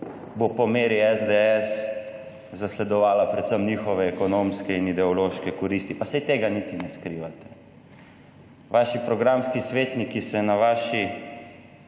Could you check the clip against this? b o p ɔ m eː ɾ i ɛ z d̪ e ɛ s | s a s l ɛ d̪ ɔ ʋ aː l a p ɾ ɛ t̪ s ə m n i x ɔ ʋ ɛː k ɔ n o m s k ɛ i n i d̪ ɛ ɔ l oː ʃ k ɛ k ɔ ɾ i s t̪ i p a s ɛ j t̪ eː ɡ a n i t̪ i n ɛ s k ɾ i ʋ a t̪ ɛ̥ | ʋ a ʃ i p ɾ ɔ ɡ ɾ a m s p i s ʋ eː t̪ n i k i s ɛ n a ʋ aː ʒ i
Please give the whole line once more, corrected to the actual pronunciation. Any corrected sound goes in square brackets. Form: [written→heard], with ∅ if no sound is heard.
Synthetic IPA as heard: b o p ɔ m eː ɾ i ɛ z d̪ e ɛ s | [s→z] a s l ɛ d̪ ɔ ʋ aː l a p ɾ ɛ t̪ s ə m n i x ɔ ʋ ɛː k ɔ n o m s k ɛ i n i d̪ ɛ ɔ l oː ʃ k ɛ k ɔ ɾ i s t̪ i p a s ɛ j t̪ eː ɡ a n i t̪ i n ɛ s k ɾ i ʋ a t̪ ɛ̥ | ʋ a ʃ i p ɾ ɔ ɡ ɾ a m s [p→k] i s ʋ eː t̪ n i k i s ɛ n a ʋ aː [ʒ→ʃ] i